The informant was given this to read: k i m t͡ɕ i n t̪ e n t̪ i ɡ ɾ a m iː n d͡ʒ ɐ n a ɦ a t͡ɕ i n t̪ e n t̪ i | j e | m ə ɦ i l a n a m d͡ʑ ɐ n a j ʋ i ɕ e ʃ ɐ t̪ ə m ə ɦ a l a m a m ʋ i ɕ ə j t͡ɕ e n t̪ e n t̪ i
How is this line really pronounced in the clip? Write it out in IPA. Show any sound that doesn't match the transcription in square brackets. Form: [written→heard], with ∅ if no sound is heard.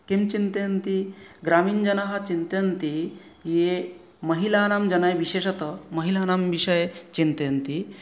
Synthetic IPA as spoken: k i m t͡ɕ i n t̪ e n t̪ i ɡ ɾ a m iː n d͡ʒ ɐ n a ɦ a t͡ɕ i n t̪ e n t̪ i | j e | m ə ɦ i l a n a m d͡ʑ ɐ n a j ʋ i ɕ e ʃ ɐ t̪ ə m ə ɦ [a→i] l a [m→n] a m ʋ i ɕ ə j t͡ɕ [e→i] n t̪ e n t̪ i

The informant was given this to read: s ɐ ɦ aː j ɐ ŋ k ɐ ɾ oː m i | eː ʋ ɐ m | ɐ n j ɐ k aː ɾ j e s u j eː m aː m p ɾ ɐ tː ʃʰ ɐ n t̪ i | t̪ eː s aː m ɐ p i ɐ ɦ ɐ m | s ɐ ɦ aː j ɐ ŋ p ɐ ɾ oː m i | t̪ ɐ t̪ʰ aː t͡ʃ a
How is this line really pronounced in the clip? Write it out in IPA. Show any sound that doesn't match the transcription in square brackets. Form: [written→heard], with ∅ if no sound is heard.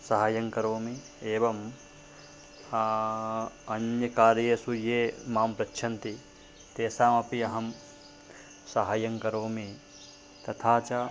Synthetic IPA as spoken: s ɐ ɦ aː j ɐ ŋ k ɐ ɾ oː m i | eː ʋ ɐ m | ɐ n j ɐ k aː ɾ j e s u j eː m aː m p ɾ ɐ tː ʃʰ ɐ n t̪ i | t̪ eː s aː m ɐ p i ɐ ɦ ɐ m | s ɐ ɦ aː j ɐ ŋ [p→k] ɐ ɾ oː m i | t̪ ɐ t̪ʰ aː t͡ʃ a

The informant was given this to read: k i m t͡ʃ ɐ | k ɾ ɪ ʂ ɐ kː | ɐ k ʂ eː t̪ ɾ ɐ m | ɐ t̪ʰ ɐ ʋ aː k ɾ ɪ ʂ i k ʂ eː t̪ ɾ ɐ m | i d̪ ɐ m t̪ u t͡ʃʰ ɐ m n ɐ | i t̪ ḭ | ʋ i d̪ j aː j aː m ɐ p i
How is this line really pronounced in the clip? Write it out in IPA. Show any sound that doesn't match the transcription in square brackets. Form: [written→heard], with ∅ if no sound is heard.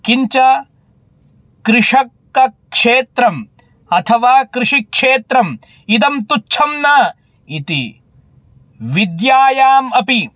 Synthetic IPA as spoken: k i [m→ɲ] t͡ʃ ɐ | k ɾ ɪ ʂ ɐ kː | ɐ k ʂ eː t̪ ɾ ɐ m | ɐ t̪ʰ ɐ ʋ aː k ɾ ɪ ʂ i k ʂ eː t̪ ɾ ɐ m | i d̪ ɐ m t̪ u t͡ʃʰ ɐ m n ɐ | i t̪ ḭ | ʋ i d̪ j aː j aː m ɐ p i

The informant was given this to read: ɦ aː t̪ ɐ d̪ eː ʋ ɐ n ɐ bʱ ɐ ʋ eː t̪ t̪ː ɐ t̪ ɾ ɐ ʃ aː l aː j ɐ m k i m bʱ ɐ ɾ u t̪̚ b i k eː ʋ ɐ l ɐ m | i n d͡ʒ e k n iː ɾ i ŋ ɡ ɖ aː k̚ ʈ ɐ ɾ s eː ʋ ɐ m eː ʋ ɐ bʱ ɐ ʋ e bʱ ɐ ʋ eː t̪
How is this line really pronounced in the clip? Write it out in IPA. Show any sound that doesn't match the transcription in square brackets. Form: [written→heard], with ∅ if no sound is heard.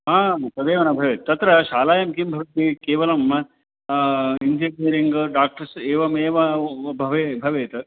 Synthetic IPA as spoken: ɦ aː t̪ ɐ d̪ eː ʋ ɐ n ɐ bʱ ɐ ʋ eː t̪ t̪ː ɐ t̪ ɾ ɐ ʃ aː l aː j ɐ m k i m bʱ ɐ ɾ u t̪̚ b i k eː ʋ ɐ l ɐ m | i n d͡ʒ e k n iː ɾ i ŋ ɡ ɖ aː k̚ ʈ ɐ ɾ s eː ʋ ɐ m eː ʋ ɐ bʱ ɐ ʋ e bʱ ɐ ʋ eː t̪

